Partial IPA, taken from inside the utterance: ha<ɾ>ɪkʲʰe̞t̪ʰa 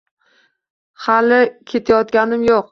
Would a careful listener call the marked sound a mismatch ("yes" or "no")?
yes